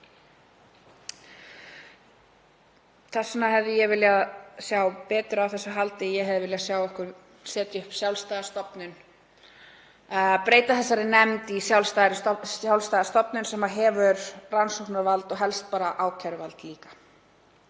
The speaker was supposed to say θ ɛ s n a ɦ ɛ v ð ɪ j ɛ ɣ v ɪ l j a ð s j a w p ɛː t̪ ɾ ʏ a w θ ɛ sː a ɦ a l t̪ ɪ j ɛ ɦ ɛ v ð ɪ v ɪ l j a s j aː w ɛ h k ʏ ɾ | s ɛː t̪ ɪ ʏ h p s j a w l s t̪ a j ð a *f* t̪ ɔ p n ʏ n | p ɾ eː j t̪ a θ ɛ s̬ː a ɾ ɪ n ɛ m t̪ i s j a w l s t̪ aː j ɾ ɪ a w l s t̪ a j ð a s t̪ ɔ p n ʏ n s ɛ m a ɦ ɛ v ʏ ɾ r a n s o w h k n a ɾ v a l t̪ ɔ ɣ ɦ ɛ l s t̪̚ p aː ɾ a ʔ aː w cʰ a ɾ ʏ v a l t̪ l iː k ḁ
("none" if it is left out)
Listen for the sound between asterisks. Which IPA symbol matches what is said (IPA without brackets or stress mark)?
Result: s